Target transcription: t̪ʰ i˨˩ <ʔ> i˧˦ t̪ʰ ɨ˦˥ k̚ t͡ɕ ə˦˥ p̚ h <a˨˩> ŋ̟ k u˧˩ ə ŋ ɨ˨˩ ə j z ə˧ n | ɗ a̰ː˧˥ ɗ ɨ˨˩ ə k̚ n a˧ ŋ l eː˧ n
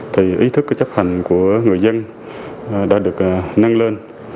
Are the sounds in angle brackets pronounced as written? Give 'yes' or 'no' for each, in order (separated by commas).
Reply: yes, yes